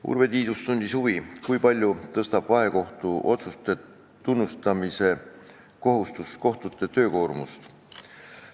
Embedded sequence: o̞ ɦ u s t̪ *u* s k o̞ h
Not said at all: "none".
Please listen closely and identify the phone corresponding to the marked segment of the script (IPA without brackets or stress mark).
u